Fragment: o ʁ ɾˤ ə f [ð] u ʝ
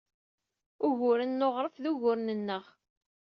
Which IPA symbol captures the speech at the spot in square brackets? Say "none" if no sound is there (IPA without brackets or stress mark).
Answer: ð